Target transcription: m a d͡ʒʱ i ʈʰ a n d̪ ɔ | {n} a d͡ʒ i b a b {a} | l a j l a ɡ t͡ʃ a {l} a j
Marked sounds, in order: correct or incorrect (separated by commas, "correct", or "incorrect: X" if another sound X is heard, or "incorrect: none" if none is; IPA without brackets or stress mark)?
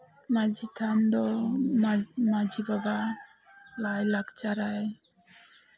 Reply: incorrect: m, correct, incorrect: ɾ